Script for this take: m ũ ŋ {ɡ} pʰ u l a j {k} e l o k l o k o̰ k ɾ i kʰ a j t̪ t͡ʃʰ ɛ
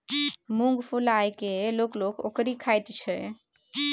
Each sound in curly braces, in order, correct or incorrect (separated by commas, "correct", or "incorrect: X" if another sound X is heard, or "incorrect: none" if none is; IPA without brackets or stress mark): correct, correct